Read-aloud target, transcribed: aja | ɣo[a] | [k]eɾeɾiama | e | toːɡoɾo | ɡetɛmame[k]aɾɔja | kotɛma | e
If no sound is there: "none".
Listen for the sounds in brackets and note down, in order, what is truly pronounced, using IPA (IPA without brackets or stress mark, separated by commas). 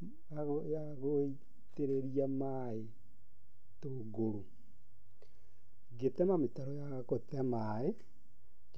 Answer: i, t, t